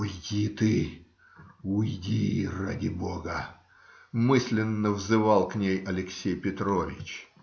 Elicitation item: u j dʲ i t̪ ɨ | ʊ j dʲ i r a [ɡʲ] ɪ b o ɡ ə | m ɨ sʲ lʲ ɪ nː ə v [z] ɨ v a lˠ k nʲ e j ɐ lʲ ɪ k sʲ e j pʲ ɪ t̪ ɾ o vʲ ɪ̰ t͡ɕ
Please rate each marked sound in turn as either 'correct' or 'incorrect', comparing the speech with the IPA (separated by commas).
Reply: incorrect, correct